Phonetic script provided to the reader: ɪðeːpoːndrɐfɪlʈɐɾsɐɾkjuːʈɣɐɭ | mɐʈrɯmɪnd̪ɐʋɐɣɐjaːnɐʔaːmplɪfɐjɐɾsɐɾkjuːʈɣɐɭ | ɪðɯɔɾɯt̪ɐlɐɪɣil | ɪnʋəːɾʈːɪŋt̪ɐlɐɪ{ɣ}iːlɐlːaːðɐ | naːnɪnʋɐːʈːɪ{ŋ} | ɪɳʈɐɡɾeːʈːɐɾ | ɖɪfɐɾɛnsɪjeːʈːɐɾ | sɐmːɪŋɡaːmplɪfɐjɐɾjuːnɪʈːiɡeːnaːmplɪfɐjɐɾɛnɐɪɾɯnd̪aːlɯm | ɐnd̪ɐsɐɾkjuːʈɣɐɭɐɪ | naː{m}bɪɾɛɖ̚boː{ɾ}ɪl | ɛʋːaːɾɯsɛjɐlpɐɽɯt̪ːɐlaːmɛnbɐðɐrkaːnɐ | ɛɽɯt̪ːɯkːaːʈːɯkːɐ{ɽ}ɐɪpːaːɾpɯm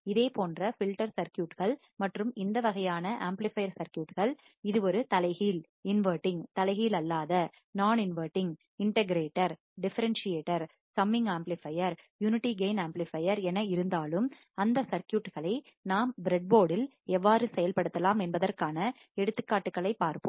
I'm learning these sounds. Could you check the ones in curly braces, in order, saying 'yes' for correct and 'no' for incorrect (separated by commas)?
yes, yes, yes, no, no